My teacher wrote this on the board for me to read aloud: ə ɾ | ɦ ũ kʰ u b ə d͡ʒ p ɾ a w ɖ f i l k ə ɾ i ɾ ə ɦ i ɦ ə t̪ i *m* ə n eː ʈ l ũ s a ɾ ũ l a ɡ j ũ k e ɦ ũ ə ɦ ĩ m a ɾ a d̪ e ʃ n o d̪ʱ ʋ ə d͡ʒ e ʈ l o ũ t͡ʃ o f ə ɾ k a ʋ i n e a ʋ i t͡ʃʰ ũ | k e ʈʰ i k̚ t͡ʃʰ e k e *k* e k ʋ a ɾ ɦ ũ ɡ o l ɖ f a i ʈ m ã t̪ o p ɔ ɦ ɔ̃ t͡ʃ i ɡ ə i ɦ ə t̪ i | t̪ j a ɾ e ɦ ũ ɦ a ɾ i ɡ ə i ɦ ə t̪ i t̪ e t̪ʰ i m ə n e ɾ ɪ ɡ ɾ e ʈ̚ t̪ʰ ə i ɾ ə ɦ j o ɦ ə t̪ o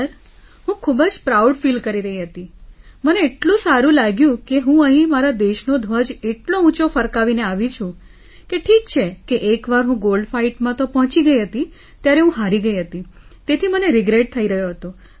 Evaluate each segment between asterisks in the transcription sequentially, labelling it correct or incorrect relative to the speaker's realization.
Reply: correct, incorrect

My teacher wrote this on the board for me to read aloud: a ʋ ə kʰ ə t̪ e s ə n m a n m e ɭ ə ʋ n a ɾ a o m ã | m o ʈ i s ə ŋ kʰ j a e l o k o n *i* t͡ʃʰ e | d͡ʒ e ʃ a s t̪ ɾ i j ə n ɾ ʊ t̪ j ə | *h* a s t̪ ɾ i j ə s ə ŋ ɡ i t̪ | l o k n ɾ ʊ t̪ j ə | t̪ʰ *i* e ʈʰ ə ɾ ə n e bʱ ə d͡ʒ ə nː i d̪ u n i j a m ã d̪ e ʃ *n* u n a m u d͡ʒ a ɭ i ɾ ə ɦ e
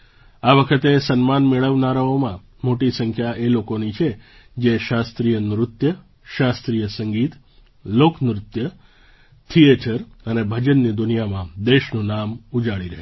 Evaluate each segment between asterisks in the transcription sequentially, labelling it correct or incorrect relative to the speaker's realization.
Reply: correct, incorrect, correct, correct

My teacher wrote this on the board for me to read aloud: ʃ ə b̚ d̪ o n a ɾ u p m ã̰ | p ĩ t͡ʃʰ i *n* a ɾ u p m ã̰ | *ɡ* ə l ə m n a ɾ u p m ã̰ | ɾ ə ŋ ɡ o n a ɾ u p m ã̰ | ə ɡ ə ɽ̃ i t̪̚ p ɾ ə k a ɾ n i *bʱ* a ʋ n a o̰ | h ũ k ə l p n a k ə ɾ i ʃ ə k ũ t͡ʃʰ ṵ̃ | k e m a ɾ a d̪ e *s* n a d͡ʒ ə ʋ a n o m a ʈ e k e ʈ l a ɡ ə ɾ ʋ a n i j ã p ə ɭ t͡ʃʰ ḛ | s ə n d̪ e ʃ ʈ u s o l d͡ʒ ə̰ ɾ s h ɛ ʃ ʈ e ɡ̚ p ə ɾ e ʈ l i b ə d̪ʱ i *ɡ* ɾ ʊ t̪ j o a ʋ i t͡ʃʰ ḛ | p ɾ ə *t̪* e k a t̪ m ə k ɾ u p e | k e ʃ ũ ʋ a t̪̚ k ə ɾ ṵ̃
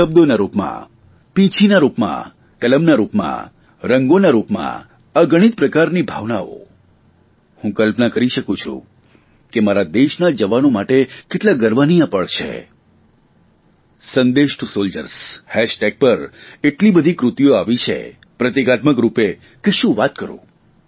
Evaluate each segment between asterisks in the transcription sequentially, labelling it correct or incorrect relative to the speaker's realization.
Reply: correct, incorrect, correct, incorrect, incorrect, correct

